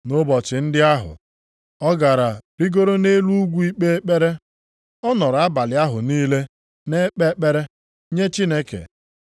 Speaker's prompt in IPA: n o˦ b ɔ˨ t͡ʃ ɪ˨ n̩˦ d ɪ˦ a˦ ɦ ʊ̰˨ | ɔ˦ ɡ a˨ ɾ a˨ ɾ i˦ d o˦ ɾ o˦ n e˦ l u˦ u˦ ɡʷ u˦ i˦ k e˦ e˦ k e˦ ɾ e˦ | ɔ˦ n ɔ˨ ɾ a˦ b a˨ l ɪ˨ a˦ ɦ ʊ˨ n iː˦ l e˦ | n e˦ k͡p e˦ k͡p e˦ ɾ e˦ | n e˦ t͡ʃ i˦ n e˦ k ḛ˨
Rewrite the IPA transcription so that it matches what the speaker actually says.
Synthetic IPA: n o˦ b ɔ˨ t͡ʃ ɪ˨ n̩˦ d ɪ˦ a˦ ɦ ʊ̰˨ | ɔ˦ ɡ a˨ ɾ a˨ ɾ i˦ ɡ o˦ ɾ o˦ n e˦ l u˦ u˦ ɡʷ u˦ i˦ k͡p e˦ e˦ k͡p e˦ ɾ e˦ | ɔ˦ n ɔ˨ ɾ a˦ b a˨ l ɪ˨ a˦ ɦ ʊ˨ n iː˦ l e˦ | n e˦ k͡p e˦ k͡p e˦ ɾ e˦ | ɲ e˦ t͡ʃ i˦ n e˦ k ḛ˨